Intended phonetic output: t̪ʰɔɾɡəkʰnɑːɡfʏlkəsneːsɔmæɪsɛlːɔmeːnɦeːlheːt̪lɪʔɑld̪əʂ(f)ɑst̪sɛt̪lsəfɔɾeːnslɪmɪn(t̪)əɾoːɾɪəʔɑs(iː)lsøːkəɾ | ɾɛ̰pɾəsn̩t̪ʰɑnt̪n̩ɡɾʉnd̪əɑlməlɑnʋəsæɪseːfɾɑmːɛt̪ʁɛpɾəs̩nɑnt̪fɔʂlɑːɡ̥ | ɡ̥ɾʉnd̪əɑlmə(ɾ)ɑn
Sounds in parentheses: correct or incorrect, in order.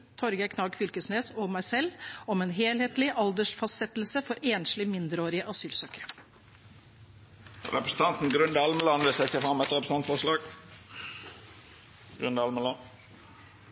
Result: correct, incorrect, incorrect, incorrect

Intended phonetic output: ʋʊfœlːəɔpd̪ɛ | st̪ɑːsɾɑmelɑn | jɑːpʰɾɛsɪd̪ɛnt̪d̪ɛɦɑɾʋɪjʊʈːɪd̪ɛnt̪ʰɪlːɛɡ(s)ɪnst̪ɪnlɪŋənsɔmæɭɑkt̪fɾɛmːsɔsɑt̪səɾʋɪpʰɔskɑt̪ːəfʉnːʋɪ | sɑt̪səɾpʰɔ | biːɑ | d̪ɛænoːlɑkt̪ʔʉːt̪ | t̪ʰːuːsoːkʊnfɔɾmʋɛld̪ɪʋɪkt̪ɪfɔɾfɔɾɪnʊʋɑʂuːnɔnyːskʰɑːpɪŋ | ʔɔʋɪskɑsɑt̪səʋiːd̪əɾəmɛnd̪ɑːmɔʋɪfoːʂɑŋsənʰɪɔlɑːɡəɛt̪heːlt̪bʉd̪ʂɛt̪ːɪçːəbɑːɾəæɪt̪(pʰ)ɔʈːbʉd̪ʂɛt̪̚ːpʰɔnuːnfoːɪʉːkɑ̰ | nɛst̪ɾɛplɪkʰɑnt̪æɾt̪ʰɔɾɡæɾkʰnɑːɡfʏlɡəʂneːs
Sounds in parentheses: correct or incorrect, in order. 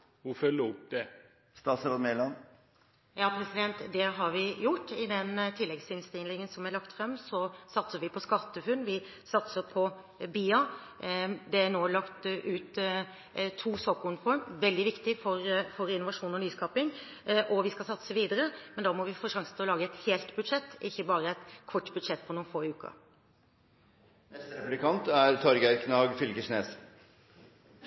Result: correct, incorrect

